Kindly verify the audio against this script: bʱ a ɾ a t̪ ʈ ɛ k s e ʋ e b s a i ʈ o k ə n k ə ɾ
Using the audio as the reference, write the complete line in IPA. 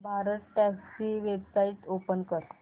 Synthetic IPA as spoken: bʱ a ɾ ə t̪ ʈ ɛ k s i ʋ e b s a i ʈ o p ə n k ə ɾ